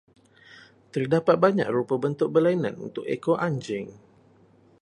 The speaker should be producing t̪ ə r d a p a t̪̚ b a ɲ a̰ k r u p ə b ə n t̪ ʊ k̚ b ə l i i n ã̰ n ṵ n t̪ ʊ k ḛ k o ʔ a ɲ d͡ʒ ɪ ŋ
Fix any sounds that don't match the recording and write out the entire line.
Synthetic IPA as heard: t̪ ə r d a p a t̪̚ b a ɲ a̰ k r u p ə b ə n t̪ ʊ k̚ b ə l a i n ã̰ n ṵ n t̪ ʊ k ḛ k o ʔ a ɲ d͡ʒ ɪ ŋ